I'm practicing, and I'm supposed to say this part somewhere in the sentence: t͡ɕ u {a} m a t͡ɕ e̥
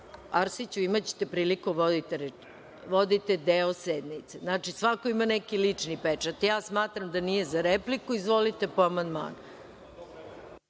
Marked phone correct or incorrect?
incorrect